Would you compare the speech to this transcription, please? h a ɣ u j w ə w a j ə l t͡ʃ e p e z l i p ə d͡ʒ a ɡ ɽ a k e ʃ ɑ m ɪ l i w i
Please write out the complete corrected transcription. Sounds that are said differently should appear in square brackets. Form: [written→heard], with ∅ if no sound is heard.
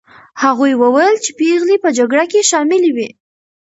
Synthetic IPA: h a ɣ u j w ə w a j ə l t͡ʃ e p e [z→ɣ] l i p ə d͡ʒ a ɡ ɽ a k e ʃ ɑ m ɪ l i w i